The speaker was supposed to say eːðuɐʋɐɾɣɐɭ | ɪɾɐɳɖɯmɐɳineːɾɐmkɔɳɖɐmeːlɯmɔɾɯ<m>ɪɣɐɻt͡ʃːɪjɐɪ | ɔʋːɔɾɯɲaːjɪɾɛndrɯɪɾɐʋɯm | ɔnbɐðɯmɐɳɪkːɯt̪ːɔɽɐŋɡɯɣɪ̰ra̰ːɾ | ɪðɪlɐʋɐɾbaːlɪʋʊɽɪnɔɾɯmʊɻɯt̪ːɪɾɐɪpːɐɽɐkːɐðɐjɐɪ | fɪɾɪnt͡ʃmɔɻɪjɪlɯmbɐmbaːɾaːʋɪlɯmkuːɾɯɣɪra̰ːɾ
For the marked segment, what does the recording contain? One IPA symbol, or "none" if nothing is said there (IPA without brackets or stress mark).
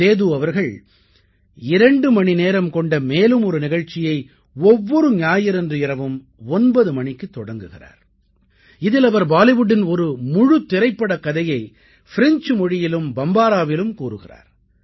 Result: n